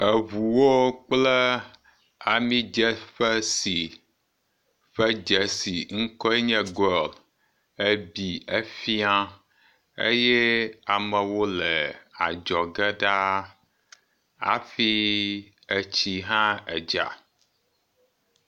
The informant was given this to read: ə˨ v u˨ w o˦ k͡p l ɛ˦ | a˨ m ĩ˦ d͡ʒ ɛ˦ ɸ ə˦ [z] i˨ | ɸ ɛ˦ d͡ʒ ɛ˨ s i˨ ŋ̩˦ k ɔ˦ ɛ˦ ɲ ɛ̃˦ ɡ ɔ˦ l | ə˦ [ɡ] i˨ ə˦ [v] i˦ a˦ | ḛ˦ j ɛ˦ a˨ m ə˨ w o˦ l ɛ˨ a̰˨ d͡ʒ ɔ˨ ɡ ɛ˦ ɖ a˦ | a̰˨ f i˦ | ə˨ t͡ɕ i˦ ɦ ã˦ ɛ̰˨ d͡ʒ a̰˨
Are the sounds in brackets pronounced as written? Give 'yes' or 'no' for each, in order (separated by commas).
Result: no, no, no